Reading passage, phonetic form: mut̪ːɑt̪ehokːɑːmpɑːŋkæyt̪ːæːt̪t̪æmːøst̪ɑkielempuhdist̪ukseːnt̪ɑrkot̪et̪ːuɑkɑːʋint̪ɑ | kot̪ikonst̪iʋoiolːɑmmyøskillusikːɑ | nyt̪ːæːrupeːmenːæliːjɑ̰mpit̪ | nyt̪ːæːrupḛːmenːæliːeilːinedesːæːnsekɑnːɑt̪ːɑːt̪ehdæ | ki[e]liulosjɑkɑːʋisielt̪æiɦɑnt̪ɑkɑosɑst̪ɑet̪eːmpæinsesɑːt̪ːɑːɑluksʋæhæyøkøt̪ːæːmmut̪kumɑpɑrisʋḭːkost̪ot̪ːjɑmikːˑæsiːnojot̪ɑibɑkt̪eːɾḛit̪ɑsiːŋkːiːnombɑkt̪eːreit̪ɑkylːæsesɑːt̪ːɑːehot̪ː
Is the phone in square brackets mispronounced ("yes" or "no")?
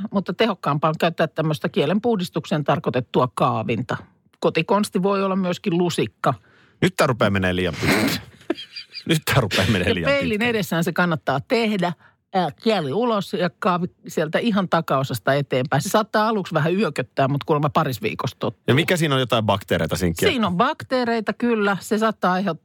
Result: yes